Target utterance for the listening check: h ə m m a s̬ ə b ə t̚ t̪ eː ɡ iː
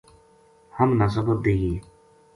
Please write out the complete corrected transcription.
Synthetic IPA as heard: h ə m n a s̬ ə b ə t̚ d̪ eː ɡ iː